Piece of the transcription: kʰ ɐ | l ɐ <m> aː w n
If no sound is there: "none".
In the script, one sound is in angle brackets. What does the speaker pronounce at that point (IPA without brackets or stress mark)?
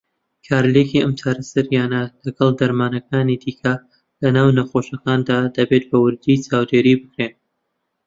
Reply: n